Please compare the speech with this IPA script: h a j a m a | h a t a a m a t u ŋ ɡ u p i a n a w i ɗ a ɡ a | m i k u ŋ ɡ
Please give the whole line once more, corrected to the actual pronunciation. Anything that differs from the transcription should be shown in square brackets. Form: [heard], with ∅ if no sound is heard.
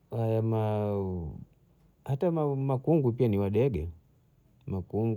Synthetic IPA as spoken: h a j a m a | h a t a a m a [k] u ŋ ɡ u p i a n [i] w [a] ɗ [ɛ] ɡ [ɛ] | m [a] k u ŋ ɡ